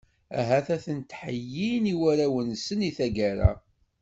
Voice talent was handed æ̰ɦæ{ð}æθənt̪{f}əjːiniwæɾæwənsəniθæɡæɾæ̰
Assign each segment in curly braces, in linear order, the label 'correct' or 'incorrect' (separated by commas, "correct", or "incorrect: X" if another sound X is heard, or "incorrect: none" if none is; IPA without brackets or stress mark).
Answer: incorrect: θ, incorrect: ħ